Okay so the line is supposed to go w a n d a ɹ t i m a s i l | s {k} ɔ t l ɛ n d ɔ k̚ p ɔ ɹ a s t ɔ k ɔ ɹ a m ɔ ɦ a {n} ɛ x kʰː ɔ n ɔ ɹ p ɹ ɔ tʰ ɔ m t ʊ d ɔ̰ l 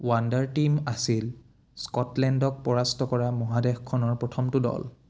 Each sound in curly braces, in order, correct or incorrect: correct, incorrect

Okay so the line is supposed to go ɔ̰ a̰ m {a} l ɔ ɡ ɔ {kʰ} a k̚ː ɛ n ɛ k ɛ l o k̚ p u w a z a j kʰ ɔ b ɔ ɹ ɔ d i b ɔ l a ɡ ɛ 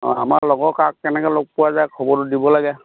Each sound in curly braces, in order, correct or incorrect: correct, incorrect

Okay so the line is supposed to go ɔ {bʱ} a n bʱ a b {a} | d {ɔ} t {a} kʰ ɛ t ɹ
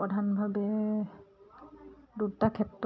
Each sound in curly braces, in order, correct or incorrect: incorrect, incorrect, incorrect, correct

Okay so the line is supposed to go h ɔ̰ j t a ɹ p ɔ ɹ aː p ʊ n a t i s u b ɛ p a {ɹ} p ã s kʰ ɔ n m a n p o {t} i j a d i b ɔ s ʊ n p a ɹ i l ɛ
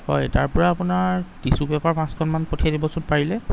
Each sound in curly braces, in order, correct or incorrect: correct, incorrect

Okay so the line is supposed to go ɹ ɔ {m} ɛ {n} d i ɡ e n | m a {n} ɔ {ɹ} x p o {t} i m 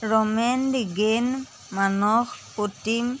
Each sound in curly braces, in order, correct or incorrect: correct, correct, correct, incorrect, correct

